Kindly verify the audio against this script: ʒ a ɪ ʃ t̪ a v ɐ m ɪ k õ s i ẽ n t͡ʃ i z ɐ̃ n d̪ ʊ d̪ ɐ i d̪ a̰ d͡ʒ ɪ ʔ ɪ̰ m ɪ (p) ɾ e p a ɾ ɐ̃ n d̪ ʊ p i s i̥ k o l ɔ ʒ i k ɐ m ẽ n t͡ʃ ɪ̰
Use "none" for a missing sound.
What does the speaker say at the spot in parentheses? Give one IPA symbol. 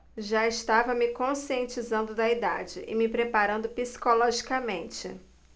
p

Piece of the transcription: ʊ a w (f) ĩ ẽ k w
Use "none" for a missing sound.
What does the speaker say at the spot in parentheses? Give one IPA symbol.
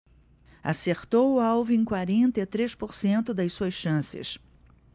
v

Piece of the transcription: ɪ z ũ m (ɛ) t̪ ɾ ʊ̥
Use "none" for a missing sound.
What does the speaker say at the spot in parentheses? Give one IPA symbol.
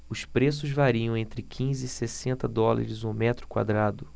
ɛ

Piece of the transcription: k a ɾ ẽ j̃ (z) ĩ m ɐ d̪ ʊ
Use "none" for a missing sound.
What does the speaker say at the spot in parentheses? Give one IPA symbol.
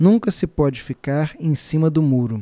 s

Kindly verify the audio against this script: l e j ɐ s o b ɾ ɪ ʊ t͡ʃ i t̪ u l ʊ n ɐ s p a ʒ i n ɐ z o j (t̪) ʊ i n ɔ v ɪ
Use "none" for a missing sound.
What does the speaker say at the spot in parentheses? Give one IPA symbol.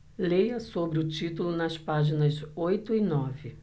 t̪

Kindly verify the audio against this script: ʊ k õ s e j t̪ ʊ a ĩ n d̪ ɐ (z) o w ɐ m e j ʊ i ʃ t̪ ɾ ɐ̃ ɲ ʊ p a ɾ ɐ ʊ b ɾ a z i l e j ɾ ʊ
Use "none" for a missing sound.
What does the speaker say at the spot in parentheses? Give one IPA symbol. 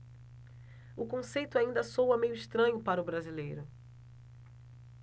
s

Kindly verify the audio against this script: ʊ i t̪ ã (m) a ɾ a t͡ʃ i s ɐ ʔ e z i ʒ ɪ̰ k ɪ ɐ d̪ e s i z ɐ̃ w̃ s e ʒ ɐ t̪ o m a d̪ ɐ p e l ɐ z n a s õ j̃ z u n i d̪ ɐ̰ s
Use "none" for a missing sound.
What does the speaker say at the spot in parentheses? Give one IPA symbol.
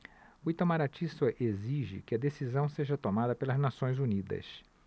m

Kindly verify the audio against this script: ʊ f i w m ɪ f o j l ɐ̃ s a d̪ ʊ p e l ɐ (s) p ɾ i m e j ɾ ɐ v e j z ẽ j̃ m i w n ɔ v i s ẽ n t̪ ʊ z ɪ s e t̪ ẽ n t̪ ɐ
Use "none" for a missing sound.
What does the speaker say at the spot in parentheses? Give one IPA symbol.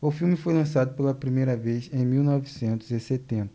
none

